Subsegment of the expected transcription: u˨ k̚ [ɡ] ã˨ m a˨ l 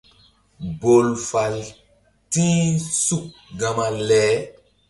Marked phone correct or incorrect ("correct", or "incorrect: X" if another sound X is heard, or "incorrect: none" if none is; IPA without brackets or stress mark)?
correct